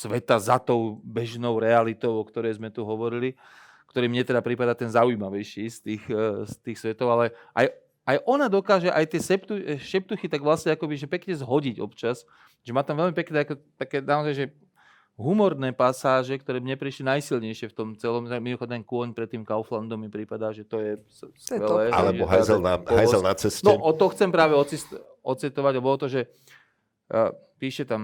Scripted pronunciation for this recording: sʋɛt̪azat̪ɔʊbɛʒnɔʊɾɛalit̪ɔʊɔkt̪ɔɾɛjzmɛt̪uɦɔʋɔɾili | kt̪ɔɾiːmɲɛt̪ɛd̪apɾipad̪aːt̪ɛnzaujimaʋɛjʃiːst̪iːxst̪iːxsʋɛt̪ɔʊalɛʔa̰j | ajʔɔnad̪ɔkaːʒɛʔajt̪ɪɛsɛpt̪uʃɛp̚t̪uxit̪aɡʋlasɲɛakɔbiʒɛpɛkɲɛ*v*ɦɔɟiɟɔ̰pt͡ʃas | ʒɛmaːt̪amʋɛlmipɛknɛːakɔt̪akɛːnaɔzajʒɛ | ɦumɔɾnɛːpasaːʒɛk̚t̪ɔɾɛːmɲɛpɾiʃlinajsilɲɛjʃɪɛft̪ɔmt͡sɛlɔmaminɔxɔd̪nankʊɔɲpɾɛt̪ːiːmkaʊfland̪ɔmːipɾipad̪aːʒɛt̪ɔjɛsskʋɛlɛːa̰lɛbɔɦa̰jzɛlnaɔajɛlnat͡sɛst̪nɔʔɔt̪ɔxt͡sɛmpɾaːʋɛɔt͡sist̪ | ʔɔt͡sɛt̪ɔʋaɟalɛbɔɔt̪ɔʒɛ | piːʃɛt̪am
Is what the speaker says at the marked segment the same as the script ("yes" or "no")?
no